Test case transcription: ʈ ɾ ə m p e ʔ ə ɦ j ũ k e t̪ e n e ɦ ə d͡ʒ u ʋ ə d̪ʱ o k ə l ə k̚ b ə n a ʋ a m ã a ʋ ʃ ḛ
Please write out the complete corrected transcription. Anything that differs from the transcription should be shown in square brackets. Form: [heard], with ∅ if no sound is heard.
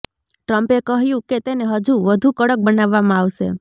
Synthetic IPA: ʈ ɾ ə m p e [k] ə ɦ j ũ k e t̪ e n e ɦ ə d͡ʒ u ʋ ə d̪ʱ [u] k ə [ɽ] ə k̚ b ə n a [ʋː] a m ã a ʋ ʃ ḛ